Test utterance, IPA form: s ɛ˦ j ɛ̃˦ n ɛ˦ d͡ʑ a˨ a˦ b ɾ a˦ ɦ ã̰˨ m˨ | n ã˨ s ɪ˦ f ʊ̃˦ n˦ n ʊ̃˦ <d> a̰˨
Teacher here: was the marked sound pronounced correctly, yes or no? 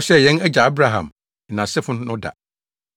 yes